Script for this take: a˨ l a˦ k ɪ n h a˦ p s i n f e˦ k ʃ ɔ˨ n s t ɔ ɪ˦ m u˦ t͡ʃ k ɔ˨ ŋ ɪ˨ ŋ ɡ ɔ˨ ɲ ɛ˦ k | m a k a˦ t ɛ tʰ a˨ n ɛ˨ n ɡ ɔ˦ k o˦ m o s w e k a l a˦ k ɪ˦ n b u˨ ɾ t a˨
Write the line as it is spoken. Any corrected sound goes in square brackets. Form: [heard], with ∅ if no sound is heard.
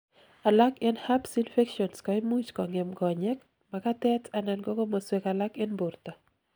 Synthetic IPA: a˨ l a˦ k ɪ n h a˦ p s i n f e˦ k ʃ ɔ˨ n s [k] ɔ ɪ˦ m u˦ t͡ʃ k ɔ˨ ŋ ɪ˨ [m] ɡ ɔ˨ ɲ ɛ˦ k | m a k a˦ t ɛ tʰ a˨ n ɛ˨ n ɡ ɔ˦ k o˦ m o s w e k a l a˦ k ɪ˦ n b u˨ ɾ t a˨

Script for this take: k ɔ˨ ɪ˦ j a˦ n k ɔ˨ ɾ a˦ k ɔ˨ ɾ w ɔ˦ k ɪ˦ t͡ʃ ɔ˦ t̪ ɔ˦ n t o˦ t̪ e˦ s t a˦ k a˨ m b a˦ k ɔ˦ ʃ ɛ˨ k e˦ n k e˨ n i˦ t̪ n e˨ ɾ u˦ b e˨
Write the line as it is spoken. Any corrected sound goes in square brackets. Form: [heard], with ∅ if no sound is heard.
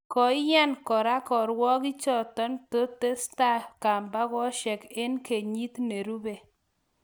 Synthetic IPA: k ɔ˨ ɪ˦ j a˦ n k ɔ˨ ɾ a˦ k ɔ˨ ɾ w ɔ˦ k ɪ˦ t͡ʃ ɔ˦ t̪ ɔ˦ n t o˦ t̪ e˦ s t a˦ k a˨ m b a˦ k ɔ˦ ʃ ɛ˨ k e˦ n k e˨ [ɲ] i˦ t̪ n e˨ ɾ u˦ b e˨

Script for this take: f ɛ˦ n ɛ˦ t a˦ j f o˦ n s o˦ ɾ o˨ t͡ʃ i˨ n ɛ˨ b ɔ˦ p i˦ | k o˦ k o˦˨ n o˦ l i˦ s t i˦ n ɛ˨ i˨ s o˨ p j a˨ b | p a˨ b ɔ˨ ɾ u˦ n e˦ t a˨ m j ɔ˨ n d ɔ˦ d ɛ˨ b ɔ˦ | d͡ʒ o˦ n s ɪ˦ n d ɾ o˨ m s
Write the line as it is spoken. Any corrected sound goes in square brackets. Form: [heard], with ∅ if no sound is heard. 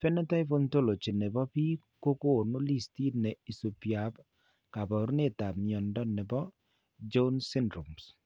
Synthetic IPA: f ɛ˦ n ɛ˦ t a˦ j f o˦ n [t] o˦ [l] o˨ t͡ʃ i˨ n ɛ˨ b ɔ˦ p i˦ | k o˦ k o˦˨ n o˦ l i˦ s t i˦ n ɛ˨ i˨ s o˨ p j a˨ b | [k] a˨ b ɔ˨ ɾ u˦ n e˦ t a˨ m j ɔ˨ n d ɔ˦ [n] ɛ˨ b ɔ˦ | d͡ʒ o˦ n s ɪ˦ n d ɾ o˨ m s

